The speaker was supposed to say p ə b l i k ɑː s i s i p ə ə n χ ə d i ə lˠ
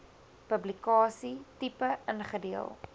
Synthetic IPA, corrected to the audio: p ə b l i k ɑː s i t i p ə ə n χ ə d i ə lˠ